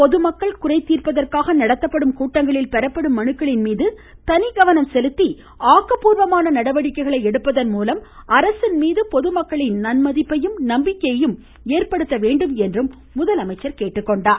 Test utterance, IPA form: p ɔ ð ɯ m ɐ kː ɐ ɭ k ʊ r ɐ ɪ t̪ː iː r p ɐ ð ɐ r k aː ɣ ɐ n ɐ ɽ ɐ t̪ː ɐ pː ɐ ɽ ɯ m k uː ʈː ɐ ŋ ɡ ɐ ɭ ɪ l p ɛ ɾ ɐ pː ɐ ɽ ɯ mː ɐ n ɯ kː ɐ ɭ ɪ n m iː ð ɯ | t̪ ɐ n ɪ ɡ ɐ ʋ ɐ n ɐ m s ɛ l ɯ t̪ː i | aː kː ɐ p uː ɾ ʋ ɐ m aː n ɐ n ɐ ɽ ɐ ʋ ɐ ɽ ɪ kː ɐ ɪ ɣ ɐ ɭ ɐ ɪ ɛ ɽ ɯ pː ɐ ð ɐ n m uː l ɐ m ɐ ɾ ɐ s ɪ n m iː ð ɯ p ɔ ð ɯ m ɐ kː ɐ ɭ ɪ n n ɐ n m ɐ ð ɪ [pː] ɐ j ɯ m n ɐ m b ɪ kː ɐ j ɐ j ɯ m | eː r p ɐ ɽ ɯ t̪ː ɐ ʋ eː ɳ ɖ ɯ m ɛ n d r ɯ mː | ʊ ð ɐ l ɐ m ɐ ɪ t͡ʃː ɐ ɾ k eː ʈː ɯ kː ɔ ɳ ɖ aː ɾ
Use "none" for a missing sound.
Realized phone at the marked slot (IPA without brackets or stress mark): pː